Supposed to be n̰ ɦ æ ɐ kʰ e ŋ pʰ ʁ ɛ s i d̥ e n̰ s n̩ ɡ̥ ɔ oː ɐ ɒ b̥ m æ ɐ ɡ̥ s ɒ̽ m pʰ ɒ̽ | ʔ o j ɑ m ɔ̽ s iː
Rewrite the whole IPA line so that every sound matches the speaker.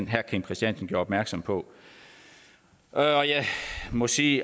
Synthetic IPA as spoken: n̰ ɦ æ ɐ kʰ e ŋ pʰ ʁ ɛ s i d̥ e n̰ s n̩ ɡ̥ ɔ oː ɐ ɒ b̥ m æ ɐ ɡ̥ s ɒ̽ m pʰ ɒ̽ | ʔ ɒ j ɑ m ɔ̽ s iː